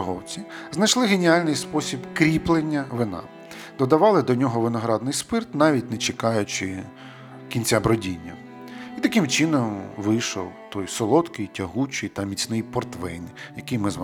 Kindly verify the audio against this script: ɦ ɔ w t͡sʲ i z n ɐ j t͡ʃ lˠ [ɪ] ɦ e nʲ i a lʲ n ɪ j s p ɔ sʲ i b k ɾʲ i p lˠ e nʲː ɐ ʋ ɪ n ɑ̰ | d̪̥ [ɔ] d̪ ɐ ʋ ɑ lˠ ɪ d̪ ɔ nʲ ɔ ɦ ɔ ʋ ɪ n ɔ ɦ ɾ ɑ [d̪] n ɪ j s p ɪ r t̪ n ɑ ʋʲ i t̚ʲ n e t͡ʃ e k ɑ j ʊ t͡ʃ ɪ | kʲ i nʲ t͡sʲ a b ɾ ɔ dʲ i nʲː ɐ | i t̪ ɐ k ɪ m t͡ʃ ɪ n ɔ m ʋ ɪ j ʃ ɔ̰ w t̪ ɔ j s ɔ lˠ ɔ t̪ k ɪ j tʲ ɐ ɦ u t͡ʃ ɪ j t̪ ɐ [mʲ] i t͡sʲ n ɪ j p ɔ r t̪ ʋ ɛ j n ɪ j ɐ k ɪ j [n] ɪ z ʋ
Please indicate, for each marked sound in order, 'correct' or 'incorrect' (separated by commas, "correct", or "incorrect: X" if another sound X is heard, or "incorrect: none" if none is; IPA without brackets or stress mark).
correct, correct, correct, correct, incorrect: m